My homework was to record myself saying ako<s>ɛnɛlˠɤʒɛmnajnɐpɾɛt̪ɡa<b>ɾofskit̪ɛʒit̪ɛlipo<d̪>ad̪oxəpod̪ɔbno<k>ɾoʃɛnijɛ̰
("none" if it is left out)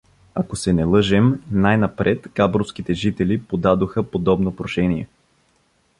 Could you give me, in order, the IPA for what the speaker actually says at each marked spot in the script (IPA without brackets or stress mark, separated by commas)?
s, b, d̪, p